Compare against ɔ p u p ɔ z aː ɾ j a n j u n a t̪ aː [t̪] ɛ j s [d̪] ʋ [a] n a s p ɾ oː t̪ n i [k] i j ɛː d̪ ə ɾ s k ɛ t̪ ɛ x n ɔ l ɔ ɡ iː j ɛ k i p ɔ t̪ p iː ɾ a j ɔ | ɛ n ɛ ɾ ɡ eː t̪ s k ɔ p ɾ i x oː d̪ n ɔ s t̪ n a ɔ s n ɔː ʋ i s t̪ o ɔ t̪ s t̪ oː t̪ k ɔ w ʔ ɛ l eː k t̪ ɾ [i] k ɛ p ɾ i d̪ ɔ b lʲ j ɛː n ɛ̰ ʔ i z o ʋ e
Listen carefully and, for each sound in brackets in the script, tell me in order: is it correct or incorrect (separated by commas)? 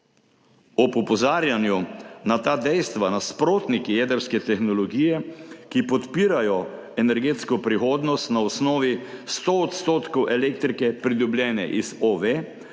incorrect, incorrect, correct, correct, correct